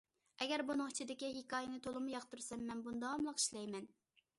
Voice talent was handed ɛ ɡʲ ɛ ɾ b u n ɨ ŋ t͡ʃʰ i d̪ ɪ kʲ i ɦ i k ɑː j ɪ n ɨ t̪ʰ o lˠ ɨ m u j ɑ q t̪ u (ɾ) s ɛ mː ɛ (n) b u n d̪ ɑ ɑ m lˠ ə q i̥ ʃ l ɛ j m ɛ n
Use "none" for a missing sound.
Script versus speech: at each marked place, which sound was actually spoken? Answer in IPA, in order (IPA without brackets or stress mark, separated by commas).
ɾ, n